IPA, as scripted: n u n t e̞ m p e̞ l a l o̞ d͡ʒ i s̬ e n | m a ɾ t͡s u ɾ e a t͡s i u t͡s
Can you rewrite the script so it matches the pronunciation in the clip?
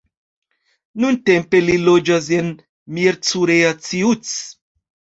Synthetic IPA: n u n t e̞ m p e̞ l i l o̞ d͡ʒ a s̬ e n | m i ɾ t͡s u ɾ e a t͡s i u t͡s

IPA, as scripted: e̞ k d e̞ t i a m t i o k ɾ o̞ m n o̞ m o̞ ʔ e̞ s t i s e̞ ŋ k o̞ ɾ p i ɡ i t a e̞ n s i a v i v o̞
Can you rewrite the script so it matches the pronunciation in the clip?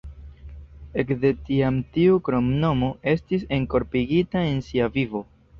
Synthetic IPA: e̞ k d e̞ t i a m t i u k ɾ o̞ m n o̞ m o̞ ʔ e̞ s t i s e̞ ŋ k o̞ ɾ p i ɡ i t a e̞ n s i a v i v o̞

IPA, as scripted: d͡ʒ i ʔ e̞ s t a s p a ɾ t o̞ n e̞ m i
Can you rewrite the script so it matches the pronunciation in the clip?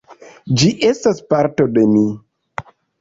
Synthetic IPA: d͡ʒ i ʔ e̞ s t a s p a ɾ t o̞ d e̞ m i

